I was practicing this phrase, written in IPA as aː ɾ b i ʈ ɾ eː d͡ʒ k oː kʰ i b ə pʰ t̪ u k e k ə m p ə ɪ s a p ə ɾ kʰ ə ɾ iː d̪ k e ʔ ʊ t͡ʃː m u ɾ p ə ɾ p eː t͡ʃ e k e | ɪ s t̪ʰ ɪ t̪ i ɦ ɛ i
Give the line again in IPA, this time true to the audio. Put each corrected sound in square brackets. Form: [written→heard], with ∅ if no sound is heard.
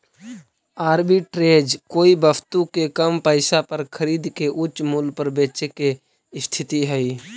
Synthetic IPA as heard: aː ɾ b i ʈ ɾ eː d͡ʒ k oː [kʰ→∅] i b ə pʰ t̪ u k e k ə m p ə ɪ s a p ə ɾ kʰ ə ɾ iː d̪ k e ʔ ʊ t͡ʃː m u [ɾ→l] p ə ɾ [p→b] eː t͡ʃ e k e | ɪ s t̪ʰ ɪ t̪ i ɦ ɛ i